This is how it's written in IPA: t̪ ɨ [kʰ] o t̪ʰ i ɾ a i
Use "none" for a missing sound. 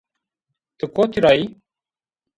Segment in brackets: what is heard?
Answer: k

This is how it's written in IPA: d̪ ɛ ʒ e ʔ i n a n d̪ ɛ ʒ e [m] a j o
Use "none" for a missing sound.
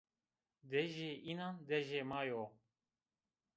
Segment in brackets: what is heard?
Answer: m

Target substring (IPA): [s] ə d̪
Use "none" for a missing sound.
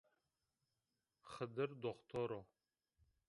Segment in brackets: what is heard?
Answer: χ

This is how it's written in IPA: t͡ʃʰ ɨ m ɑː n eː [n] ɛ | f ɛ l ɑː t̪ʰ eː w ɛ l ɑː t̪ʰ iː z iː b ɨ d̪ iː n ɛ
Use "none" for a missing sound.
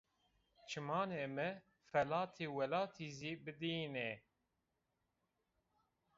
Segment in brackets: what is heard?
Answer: m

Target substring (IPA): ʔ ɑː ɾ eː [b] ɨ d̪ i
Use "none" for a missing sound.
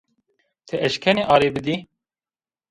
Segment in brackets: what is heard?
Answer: b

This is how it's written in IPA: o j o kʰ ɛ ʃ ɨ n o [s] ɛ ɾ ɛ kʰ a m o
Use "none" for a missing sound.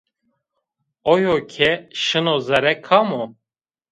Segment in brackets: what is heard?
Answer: z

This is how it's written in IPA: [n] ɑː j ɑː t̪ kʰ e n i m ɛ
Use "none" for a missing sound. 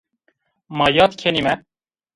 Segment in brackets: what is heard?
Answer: m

